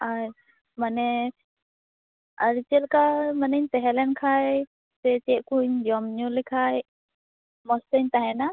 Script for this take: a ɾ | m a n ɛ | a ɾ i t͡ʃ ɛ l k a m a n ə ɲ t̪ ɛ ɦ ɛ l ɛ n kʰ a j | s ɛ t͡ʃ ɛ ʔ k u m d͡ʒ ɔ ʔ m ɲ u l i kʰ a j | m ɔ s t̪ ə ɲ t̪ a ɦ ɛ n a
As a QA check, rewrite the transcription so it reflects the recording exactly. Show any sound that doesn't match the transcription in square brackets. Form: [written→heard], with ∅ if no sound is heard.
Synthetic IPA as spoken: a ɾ | m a n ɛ | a ɾ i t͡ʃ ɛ l k a m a n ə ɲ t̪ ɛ ɦ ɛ l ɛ n kʰ a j | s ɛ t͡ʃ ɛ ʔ k u [m→ɲ] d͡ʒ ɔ [ʔ→∅] m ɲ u l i kʰ a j | m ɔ s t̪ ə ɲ t̪ a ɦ ɛ n a